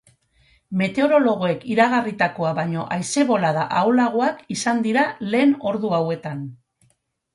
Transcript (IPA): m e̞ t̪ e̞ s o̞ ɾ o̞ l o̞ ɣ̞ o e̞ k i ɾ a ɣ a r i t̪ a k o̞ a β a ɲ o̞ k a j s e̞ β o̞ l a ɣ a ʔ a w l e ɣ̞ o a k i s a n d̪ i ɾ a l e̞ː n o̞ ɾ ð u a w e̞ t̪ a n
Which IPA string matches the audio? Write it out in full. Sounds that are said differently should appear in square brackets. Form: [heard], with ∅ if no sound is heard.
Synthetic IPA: m e̞ t̪ e̞ [∅] o̞ ɾ o̞ l o̞ ɣ̞ o e̞ k i ɾ a ɣ a r i t̪ a k o̞ a β a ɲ o̞ [ʔ] a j s e̞ β o̞ l a [ð] a ʔ a w l [a] ɣ̞ o a k i s a n d̪ i ɾ a l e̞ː n o̞ ɾ ð u a w e̞ t̪ a n